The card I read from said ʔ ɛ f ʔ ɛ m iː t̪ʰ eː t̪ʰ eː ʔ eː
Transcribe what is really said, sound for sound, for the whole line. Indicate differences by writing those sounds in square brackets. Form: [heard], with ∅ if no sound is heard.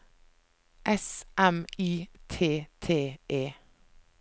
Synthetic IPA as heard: ʔ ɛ [s] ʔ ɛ m iː t̪ʰ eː t̪ʰ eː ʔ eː

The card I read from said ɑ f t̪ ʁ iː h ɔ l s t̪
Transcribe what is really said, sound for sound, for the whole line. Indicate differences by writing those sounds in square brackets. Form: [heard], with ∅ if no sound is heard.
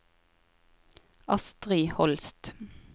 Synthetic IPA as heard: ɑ [s] t̪ ʁ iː h ɔ l s t̪

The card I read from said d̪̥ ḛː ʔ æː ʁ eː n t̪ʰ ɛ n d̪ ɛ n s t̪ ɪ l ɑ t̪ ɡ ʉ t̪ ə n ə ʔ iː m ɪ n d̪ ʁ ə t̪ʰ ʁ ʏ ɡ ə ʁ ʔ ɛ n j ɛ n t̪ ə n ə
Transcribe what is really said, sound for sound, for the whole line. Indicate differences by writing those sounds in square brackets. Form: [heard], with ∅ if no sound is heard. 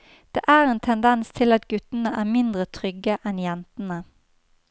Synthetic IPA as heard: d̪̥ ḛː ʔ æː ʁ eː n t̪ʰ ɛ n d̪ ɛ n s [t̪ʰ] ɪ l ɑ t̪ ɡ ʉ t̪ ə n ə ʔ [æː] m ɪ n d̪ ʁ ə t̪ʰ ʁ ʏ ɡ ə [∅] ʔ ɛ n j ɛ n t̪ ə n ə

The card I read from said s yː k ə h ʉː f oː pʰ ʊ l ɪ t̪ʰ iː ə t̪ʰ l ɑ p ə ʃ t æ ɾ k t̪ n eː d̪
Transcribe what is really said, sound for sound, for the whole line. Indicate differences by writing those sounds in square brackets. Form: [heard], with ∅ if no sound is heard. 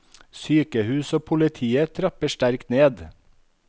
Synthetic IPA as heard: s yː k ə h ʉː [s] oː pʰ ʊ l ɪ t̪ʰ iː ə t̪ʰ [ɾ] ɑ p ə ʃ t æ ɾ k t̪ n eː d̪

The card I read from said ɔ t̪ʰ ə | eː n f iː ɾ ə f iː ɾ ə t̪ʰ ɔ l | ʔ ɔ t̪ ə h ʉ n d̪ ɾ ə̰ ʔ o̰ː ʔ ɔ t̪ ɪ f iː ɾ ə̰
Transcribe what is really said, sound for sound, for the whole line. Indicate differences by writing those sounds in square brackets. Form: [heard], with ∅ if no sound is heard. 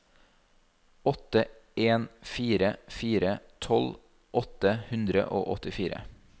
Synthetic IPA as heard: ɔ [t̪] ə | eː n f iː ɾ ə f iː ɾ ə t̪ʰ ɔ l | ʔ ɔ t̪ ə h ʉ n d̪ ɾ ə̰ ʔ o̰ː ʔ ɔ t̪ ɪ f iː ɾ ə̰

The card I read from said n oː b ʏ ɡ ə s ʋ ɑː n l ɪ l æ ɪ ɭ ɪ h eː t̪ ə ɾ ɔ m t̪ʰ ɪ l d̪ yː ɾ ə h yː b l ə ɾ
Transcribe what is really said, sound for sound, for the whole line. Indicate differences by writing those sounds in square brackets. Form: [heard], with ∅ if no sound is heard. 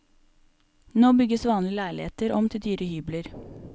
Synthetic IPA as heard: n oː b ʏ ɡ ə s ʋ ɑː n l ɪ l æ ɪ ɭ ɪ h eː t̪ ə ɾ ɔ m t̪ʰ ɪ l d̪ yː ɾ ə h yː b l ə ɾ

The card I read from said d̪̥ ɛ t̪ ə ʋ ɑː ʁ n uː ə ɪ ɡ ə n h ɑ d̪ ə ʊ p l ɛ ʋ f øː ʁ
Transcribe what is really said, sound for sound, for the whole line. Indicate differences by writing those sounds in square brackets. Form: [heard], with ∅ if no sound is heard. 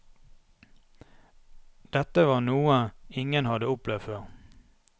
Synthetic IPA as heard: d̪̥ ɛ t̪ ə ʋ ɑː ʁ n uː ə ɪ [ŋ] ə n h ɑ d̪ ə ʊ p l ɛ ʋ f øː ʁ

